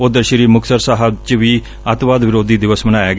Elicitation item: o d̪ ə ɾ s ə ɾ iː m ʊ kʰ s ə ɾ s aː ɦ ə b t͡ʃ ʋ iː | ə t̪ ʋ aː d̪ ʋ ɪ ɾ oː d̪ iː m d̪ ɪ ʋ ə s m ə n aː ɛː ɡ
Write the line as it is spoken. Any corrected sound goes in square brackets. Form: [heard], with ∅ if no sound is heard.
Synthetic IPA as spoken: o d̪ ə ɾ [ʃ] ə ɾ iː m ʊ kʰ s ə ɾ s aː ɦ ə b t͡ʃ ʋ iː | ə t̪ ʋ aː d̪ ʋ ɪ ɾ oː d̪ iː [∅] d̪ ɪ ʋ ə s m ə n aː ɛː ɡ